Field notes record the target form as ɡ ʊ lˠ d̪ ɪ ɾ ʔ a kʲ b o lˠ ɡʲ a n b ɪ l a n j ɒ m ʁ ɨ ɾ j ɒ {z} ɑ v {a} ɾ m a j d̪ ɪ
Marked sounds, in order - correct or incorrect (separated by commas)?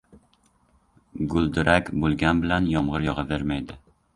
incorrect, incorrect